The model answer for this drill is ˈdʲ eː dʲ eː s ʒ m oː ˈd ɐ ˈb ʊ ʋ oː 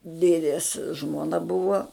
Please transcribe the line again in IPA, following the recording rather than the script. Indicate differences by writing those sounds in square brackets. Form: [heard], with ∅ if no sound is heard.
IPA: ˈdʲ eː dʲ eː s ʒ m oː [ˈn] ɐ ˈb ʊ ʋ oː